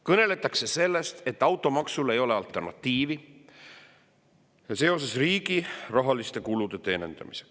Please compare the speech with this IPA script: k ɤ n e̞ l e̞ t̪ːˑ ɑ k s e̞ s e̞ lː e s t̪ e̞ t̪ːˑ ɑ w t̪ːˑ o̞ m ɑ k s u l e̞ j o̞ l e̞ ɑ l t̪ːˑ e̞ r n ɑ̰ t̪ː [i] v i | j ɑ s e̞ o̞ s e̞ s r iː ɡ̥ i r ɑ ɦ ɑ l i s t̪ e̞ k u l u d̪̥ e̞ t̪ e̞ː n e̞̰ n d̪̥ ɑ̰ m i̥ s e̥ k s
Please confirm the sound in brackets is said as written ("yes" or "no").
no